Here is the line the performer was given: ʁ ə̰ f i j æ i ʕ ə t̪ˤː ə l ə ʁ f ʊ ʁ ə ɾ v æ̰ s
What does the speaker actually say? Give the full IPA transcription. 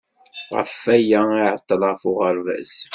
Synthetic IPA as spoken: ʁ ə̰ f æ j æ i ʕ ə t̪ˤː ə l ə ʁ f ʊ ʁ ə ɾ v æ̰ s